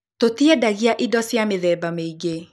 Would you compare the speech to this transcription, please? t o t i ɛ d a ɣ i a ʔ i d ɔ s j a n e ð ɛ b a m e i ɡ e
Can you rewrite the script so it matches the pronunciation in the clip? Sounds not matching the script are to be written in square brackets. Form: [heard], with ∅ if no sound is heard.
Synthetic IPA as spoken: t o t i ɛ d a ɣ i a ʔ i d ɔ s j a [m] e ð ɛ b a m e i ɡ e